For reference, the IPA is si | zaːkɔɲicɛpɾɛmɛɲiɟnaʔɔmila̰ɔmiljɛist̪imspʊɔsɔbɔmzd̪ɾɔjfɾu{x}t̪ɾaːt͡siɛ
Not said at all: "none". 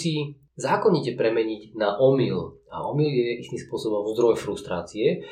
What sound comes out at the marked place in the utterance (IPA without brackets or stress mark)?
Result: s